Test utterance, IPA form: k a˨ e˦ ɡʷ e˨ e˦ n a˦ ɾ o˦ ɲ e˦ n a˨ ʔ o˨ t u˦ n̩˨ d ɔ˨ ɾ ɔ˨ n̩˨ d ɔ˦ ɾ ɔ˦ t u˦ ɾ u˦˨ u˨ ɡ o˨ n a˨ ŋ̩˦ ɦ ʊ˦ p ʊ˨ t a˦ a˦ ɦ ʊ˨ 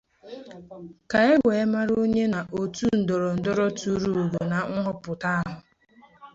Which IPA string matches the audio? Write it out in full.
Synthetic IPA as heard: k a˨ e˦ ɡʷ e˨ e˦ m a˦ ɾ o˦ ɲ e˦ n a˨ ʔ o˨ t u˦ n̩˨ d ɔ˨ ɾ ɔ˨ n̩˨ d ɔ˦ ɾ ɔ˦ t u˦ ɾ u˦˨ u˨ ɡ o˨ n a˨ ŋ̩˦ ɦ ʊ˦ p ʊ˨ t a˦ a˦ ɦ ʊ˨

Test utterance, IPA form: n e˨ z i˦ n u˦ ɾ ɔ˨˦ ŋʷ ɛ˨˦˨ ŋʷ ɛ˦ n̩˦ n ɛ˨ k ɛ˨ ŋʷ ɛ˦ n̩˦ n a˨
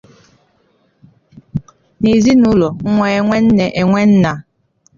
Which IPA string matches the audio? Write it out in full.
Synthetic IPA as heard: n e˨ z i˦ n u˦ l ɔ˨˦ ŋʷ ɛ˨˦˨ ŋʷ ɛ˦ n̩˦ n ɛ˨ ʔ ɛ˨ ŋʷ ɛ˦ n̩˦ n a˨

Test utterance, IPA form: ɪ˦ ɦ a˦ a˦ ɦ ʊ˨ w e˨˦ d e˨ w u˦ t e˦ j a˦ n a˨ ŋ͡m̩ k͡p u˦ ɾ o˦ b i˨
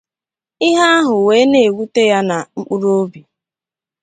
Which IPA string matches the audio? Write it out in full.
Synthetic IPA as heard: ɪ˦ ɦ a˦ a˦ ɦ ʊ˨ w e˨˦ n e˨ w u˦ t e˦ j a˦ n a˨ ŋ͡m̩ k͡p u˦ ɾ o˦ b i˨

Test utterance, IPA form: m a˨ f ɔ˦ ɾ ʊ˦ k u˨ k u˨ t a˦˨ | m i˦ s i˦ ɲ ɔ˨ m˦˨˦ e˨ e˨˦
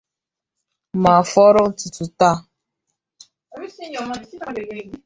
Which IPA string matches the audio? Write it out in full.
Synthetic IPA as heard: m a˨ f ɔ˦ ɾ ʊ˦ t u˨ t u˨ t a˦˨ | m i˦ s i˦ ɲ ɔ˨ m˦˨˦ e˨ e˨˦

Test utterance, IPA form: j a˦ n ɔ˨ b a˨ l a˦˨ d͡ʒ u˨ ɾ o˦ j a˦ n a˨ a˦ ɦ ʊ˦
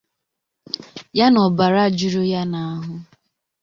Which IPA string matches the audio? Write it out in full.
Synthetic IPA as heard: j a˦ n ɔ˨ b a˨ ɾ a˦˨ d͡ʒ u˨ ɾ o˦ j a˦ n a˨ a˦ ɦ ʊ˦

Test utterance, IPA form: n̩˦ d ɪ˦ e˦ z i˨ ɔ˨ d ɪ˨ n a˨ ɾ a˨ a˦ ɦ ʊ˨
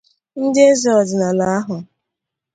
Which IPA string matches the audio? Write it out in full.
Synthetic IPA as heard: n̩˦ d ɪ˦ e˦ z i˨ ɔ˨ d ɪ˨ n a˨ l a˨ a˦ ɦ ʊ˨

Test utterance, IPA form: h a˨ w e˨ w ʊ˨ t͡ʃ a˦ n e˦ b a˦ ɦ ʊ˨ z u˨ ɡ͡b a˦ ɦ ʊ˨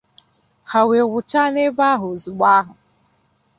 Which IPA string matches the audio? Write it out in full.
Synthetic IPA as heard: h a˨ w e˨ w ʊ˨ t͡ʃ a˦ n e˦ b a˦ ɦ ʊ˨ z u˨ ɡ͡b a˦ ɦ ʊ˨

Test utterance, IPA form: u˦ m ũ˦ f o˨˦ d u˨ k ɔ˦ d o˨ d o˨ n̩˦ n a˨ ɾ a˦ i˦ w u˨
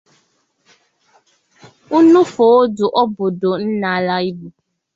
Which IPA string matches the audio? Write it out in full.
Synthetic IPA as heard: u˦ n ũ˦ f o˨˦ d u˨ ʔ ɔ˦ b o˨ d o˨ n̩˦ n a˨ l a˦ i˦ b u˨

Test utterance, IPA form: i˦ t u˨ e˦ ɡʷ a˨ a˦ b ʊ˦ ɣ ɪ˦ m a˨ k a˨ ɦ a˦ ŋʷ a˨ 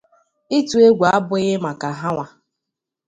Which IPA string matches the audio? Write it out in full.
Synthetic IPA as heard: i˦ t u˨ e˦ ɡʷ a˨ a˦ b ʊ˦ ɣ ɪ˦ m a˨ k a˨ ɦ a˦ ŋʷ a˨

